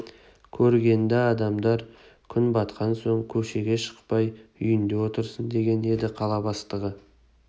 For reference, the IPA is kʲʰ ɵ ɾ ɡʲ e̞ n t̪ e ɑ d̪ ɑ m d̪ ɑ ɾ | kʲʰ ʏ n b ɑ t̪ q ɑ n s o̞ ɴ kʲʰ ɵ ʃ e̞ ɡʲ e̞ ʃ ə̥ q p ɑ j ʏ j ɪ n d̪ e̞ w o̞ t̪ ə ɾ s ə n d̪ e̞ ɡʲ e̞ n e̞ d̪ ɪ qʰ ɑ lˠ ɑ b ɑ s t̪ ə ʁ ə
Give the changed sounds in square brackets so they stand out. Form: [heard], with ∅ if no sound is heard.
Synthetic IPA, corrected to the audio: kʲʰ ɵ ɾ ɡʲ e̞ n [d̪] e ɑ d̪ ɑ m d̪ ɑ ɾ | kʲʰ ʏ n b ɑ t̪ q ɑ n s o̞ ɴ kʲʰ ɵ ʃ e̞ ɡʲ e̞ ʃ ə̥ q p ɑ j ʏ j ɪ n d̪ e̞ w o̞ t̪ ə ɾ s ə n d̪ e̞ ɡʲ e̞ n e̞ d̪ ɪ qʰ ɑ lˠ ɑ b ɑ s t̪ ə ʁ ə

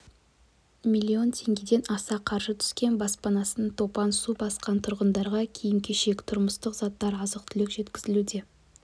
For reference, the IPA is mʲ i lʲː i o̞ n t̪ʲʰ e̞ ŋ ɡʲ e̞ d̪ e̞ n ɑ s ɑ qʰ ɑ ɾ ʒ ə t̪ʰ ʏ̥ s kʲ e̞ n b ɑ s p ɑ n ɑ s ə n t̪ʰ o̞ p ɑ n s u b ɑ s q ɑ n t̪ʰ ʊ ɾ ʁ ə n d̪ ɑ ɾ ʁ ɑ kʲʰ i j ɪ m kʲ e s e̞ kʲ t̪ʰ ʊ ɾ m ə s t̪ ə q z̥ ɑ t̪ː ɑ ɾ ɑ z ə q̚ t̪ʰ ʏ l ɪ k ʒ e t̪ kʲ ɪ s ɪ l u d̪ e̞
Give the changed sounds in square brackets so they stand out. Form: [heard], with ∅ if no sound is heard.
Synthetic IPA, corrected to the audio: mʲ i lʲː i o̞ n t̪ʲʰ e̞ ŋ ɡʲ e̞ d̪ e̞ n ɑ s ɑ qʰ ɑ ɾ ʒ ə t̪ʰ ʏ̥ s kʲ e̞ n b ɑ s p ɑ n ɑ s ə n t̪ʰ o̞ p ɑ n s u b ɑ s q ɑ n t̪ʰ ʊ ɾ ʁ ə n d̪ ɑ ɾ ʁ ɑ kʲʰ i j ɪ m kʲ e [ʃ] e̞ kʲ t̪ʰ ʊ ɾ m ə s t̪ ə q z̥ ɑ t̪ː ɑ ɾ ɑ z ə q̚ t̪ʰ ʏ l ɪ k ʒ e t̪ kʲ ɪ [z] ɪ l u d̪ e̞

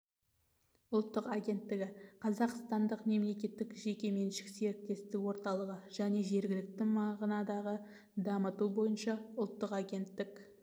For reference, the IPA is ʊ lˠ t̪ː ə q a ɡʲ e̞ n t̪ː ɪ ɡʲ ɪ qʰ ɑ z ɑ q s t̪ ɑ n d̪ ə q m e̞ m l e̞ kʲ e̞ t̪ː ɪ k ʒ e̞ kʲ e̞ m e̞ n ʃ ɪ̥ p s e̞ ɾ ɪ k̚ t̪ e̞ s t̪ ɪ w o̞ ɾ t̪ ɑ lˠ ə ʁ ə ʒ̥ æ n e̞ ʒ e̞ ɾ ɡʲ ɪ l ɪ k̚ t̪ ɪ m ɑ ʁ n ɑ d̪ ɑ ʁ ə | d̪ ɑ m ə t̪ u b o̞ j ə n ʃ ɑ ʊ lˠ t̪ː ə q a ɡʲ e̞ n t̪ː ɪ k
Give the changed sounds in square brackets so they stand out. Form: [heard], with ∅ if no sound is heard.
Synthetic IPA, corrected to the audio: ʊ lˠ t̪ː ə q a ɡʲ e̞ n t̪ː ɪ ɡʲ ɪ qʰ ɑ z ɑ q s t̪ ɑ n d̪ ə q m e̞ m l e̞ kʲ e̞ t̪ː ɪ k ʒ e̞ kʲ e̞ m e̞ n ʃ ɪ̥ [k] s e̞ ɾ ɪ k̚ t̪ e̞ s t̪ ɪ w o̞ ɾ t̪ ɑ lˠ ə ʁ ə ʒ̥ æ n e̞ ʒ e̞ ɾ ɡʲ ɪ l ɪ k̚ t̪ ɪ m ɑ ʁ n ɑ d̪ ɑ ʁ ə | d̪ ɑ m ə t̪ u b o̞ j ə n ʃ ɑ ʊ lˠ t̪ː ə q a ɡʲ e̞ n t̪ː ɪ k

